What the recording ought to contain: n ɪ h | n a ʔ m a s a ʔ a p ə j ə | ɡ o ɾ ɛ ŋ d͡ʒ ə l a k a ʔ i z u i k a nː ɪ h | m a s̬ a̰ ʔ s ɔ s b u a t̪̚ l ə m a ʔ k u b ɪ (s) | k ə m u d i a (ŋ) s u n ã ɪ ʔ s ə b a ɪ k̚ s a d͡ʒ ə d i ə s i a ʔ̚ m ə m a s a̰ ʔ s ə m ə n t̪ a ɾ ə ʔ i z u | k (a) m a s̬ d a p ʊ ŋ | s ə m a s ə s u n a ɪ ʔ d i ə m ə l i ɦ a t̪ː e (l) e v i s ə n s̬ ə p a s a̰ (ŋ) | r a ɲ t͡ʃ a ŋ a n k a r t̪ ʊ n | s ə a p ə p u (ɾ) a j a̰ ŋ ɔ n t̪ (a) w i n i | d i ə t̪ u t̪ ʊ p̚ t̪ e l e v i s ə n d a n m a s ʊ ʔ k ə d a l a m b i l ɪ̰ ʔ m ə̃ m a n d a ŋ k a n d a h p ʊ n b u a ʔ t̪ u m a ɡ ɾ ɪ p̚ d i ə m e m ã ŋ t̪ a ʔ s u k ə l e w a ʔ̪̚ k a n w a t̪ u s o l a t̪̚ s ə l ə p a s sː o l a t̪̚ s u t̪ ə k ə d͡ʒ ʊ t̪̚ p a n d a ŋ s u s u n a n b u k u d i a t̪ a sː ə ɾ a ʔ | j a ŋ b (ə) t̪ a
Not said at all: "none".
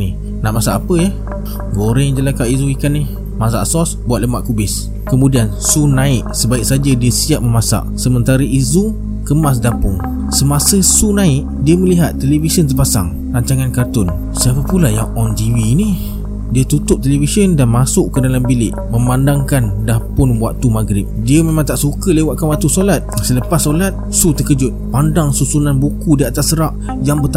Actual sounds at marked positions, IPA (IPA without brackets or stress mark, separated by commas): s, n, ə, l, ŋ, l, i, ə